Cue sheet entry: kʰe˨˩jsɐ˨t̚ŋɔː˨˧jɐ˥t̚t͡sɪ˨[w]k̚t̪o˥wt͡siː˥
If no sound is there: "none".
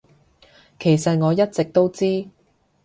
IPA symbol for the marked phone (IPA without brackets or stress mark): none